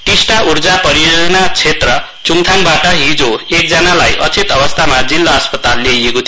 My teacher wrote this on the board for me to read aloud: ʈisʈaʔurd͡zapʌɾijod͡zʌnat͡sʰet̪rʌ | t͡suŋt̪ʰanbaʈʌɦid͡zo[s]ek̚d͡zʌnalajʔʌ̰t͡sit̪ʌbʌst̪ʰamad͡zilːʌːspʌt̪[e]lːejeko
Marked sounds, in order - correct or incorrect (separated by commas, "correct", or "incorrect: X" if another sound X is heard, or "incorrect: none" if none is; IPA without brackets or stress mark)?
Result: incorrect: none, incorrect: a